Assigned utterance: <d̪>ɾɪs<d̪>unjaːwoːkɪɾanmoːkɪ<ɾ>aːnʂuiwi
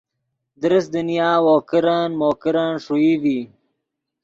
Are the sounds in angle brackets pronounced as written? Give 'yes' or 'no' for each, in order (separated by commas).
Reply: yes, yes, yes